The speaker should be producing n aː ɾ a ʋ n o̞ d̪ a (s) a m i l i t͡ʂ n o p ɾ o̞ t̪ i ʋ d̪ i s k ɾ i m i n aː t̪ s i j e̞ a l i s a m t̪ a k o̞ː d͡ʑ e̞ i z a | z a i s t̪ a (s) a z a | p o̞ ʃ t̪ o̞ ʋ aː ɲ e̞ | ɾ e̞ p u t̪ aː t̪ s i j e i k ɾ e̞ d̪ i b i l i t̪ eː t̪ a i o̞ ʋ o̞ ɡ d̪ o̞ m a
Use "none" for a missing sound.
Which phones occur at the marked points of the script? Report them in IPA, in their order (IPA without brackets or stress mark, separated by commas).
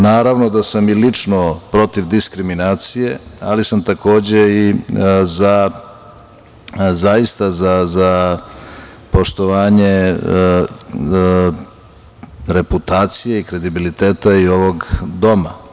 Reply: s, z